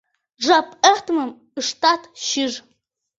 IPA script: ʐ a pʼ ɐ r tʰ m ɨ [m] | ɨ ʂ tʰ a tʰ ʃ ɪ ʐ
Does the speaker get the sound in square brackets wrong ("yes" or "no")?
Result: no